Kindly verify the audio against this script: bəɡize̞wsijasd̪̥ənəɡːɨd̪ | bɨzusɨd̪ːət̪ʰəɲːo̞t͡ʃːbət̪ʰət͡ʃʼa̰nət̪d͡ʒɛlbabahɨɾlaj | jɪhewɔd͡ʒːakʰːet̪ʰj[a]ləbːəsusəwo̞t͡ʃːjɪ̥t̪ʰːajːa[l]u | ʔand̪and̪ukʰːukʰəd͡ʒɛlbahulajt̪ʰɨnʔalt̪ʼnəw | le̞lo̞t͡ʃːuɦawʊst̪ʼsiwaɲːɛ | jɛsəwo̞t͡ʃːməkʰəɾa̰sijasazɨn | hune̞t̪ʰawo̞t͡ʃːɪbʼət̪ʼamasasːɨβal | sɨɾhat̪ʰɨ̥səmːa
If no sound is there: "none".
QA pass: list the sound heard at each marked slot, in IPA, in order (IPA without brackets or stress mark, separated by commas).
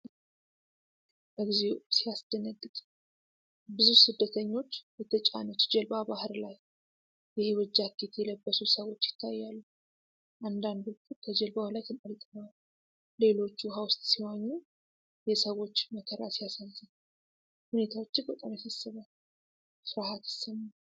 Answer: ɛ, lː